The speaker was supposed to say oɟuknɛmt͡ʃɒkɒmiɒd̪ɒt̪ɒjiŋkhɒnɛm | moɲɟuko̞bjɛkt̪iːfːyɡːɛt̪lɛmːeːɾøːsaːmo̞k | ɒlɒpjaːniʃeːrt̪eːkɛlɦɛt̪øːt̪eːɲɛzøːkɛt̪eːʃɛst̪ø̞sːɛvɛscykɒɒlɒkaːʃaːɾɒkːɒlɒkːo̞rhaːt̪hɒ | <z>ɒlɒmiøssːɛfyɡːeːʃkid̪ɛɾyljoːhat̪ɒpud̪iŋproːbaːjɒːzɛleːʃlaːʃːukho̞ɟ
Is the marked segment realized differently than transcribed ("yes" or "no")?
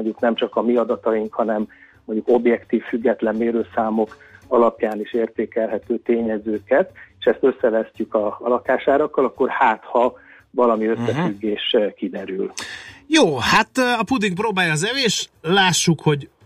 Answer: yes